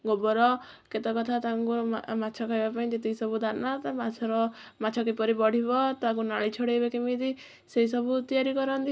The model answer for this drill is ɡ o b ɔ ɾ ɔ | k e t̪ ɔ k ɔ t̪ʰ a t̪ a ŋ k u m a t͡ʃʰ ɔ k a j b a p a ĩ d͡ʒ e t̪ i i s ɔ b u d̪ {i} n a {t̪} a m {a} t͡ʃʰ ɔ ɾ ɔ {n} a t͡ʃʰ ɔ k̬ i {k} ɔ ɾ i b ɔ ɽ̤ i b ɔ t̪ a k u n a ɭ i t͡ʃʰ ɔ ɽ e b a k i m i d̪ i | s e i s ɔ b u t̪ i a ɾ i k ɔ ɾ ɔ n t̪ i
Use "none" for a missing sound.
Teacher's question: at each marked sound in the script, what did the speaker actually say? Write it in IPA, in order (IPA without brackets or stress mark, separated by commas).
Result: a, t̪, a, m, p